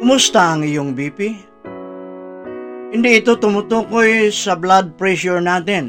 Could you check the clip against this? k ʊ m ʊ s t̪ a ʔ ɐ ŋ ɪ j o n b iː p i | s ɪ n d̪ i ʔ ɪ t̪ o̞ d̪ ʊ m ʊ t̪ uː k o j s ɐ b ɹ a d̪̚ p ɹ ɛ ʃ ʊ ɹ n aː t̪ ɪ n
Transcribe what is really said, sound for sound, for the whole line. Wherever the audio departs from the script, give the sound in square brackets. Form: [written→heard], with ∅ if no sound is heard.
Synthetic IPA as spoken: k ʊ m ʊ s t̪ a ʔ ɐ ŋ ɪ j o [n→ŋ] b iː p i | [s→h] ɪ n d̪ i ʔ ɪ t̪ o̞ [d̪→t̪] ʊ m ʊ t̪ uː k o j s ɐ b [ɹ→l] a d̪̚ p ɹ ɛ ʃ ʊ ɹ n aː t̪ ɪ n